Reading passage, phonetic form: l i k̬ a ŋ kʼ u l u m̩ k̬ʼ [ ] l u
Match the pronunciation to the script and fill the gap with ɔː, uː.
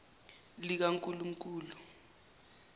uː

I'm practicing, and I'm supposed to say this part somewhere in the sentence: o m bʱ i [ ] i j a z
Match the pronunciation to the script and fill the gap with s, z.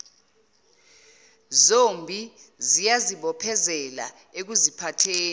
z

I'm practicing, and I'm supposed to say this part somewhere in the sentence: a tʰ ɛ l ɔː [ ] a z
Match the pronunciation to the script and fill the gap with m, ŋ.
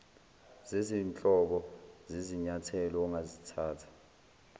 ŋ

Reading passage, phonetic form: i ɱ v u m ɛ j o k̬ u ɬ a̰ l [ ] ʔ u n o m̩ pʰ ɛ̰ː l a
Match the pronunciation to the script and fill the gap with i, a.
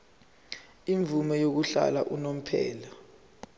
a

